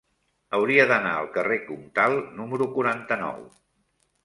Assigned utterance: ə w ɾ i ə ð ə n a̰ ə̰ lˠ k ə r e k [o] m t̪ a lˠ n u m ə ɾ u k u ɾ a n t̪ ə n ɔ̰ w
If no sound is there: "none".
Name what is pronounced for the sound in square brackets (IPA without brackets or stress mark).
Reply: u